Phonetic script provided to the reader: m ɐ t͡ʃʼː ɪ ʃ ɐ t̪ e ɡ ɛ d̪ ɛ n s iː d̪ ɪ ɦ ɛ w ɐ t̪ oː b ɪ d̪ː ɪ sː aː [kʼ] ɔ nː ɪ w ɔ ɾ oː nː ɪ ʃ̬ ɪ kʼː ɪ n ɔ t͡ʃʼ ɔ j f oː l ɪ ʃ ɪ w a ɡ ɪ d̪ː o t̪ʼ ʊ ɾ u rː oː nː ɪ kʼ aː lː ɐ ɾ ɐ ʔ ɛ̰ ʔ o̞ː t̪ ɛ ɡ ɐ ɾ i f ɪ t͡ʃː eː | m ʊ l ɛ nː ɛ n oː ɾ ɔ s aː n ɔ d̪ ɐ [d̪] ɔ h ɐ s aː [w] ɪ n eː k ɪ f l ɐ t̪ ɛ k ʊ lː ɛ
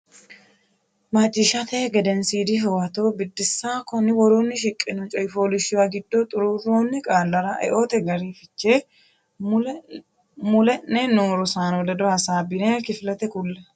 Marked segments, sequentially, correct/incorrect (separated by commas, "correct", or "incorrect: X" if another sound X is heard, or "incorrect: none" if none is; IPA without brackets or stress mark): incorrect: k, correct, incorrect: b